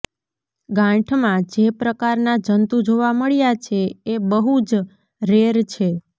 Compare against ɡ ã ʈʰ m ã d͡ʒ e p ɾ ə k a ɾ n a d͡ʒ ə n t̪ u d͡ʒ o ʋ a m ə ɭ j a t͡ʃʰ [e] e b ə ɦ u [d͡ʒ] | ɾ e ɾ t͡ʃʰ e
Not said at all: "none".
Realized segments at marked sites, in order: e, d͡ʒ

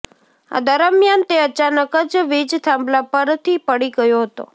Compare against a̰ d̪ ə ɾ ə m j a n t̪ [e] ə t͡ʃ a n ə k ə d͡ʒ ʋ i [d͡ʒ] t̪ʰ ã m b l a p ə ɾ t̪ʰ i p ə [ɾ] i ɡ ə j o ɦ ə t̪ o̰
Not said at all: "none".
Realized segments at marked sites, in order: e, d͡ʒ, ɽ

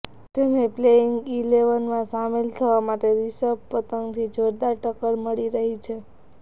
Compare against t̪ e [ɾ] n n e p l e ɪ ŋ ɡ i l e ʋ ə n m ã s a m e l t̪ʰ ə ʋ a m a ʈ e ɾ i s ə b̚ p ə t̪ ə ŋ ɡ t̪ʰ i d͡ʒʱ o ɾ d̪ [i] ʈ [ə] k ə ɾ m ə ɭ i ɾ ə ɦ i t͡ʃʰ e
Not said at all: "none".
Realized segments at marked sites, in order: none, a, ə

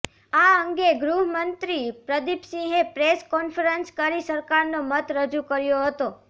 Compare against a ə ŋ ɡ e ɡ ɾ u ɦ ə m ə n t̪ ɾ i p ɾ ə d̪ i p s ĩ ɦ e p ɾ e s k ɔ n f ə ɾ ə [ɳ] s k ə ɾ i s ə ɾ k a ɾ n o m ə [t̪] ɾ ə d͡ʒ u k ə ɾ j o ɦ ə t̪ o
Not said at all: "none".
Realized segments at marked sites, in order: n, t̪

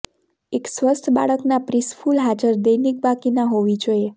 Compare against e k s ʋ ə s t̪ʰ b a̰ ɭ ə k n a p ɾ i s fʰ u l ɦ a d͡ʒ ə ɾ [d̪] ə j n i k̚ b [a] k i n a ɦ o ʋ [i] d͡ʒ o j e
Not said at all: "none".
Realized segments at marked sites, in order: d̪, a, i

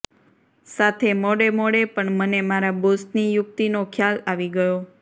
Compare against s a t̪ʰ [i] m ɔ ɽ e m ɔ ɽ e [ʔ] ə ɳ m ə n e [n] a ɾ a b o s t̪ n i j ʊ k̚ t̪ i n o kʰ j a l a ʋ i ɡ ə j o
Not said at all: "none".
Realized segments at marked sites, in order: e, p, m

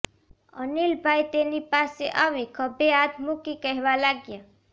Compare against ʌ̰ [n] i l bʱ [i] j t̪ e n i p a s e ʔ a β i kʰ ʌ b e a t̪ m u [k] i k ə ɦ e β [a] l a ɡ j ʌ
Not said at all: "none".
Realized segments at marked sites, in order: n, a, k, a

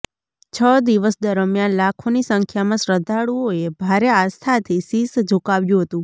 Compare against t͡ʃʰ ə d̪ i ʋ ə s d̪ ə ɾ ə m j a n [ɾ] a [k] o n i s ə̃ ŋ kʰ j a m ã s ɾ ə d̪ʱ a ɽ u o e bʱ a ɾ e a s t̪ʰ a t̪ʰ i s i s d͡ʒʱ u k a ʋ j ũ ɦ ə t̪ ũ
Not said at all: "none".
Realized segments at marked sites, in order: l, kʰ

